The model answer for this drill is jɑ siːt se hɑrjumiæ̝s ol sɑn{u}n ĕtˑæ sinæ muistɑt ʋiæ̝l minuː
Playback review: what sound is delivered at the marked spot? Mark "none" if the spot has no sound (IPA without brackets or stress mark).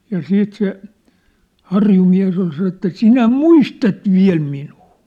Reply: o